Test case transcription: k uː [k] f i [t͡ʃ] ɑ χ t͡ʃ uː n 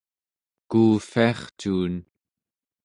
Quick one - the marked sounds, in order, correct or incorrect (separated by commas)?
incorrect, incorrect